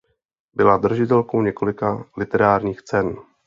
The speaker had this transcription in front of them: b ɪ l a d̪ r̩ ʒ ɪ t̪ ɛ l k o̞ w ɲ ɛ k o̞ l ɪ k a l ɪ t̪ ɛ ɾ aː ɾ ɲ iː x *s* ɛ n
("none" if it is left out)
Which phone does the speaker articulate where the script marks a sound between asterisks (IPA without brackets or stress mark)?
t͡s